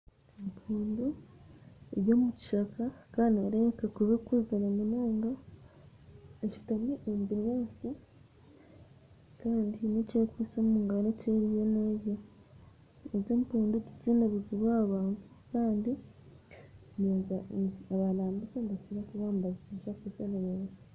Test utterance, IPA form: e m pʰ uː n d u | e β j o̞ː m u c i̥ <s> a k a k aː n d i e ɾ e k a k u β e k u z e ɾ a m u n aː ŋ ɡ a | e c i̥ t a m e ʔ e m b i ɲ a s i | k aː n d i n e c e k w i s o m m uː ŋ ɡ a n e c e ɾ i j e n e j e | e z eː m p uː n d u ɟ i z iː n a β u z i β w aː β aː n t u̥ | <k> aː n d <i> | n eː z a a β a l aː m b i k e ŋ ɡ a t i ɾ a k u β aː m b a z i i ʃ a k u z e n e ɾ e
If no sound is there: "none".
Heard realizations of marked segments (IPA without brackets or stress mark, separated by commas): ʃ, k, i